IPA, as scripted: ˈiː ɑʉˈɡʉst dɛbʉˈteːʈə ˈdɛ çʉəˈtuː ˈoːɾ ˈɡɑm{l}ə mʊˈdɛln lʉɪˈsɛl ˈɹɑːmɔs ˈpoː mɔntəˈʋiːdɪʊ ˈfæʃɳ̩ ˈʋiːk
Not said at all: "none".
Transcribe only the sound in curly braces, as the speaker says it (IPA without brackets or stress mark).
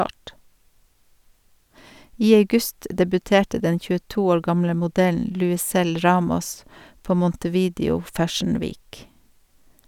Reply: l